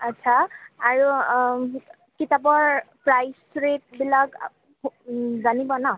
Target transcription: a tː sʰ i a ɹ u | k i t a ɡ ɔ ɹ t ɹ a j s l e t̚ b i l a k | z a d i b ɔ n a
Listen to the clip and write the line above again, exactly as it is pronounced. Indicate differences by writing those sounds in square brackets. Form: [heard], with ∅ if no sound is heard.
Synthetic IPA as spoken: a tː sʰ [a] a ɹ u | k i t a [b] ɔ ɹ [p] ɹ a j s [ɹ] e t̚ b i l a k | z a [n] i b ɔ n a